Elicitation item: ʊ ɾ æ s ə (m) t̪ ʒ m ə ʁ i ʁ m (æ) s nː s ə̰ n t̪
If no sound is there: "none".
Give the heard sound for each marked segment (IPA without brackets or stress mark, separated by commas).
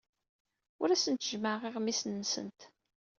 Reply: n, i